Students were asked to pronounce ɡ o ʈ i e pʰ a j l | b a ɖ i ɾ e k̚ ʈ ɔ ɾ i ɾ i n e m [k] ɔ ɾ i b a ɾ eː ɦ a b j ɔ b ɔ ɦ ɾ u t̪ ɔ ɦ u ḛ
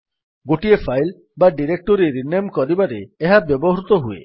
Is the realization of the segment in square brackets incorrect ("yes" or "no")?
no